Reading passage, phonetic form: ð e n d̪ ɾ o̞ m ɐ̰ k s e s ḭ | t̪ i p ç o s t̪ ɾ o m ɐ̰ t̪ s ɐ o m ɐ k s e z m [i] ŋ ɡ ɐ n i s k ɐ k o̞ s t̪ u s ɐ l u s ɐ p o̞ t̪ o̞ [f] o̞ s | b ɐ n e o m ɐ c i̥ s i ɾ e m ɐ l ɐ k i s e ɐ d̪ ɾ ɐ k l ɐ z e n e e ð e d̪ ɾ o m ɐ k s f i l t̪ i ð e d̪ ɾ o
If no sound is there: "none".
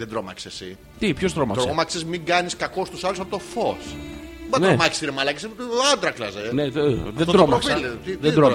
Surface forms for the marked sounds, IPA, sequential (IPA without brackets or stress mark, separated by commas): i, f